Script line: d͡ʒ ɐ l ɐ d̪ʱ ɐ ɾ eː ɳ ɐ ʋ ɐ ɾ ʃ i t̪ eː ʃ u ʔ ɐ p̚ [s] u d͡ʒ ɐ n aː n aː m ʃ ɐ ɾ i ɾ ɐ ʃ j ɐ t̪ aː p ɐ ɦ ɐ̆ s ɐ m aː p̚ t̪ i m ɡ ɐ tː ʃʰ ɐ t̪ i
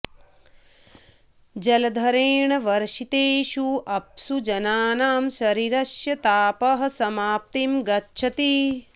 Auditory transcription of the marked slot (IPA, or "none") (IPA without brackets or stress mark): s